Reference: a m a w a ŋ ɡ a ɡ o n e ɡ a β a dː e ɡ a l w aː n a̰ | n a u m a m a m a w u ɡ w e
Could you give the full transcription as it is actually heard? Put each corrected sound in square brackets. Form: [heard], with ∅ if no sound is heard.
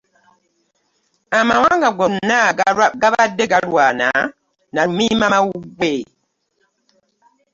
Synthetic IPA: a m a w a ŋ ɡ a ɡ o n [a] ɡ a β a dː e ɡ a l w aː n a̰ | n a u m [i] m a m a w u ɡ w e